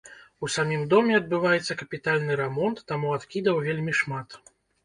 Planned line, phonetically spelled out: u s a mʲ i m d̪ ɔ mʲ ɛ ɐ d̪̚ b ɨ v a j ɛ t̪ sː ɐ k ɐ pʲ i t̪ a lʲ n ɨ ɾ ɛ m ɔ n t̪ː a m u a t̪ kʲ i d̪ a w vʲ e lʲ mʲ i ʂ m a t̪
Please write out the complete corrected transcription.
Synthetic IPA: u s a mʲ i m d̪ ɔ mʲ ɛ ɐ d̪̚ b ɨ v a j ɛ t̪ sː ɐ k ɐ pʲ i t̪ a lʲ n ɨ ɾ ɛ m ɔ n t̪ː a m u a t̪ kʲ i d̪ ɐ w vʲ e lʲ mʲ i ʂ m a t̪